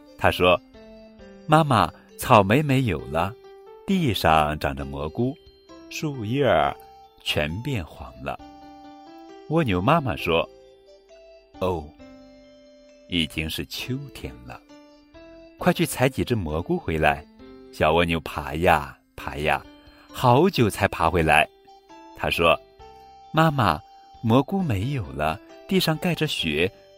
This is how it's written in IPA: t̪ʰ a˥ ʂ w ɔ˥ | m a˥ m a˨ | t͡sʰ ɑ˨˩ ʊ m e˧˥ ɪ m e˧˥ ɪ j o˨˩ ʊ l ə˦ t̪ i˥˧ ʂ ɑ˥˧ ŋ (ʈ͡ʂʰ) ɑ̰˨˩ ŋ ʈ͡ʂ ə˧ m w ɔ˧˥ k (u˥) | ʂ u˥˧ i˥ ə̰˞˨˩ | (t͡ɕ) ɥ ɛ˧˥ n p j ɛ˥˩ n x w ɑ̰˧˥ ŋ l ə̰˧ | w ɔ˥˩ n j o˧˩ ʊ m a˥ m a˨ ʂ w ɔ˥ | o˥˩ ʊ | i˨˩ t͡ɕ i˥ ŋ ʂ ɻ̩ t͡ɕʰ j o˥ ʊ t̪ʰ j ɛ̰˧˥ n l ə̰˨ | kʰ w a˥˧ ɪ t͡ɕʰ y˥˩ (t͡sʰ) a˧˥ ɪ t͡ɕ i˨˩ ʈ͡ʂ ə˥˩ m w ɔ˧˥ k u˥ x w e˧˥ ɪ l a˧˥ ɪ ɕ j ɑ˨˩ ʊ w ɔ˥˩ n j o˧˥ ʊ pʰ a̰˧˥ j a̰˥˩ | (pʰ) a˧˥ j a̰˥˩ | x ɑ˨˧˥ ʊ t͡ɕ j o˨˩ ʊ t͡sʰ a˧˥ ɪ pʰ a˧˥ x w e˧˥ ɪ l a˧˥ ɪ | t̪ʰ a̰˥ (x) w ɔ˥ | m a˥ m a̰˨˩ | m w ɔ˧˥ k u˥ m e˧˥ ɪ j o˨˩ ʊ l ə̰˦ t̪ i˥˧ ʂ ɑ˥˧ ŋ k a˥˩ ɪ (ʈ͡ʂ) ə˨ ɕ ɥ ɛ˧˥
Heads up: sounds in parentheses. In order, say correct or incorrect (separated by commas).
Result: incorrect, correct, incorrect, correct, correct, incorrect, correct